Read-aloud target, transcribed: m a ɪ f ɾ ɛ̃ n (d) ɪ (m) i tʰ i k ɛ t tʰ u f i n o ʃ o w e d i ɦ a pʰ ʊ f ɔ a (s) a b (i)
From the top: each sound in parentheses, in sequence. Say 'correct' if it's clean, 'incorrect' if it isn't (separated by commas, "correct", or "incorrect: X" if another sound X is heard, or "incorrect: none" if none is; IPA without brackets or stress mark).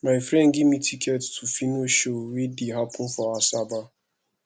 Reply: incorrect: ɡ, correct, correct, incorrect: a